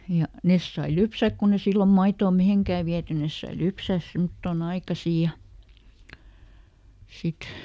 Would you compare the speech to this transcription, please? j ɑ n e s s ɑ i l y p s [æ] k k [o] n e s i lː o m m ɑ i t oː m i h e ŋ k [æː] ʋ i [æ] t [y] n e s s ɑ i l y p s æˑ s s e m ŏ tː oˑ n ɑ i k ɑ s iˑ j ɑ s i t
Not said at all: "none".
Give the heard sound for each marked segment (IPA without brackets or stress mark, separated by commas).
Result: æ, u, æː, æ, y